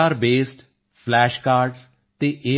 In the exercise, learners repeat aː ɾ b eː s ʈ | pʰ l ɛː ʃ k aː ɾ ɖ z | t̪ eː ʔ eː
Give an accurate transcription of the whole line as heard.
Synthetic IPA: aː ɾ b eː s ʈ | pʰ l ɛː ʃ k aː ɾ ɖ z | t̪ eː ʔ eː